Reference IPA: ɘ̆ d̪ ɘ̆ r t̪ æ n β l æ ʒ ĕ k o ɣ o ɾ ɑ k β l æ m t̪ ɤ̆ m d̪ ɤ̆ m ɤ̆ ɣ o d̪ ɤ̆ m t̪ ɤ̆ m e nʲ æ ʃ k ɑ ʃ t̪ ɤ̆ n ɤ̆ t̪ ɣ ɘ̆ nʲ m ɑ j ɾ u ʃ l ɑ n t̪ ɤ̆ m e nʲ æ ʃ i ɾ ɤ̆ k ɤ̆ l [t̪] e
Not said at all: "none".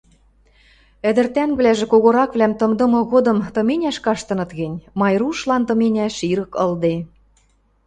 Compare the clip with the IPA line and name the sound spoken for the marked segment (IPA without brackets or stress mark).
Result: d̪